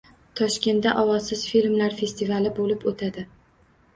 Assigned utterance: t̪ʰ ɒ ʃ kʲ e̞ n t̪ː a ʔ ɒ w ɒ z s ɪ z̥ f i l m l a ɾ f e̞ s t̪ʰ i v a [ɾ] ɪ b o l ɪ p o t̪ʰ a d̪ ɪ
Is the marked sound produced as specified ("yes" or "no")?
no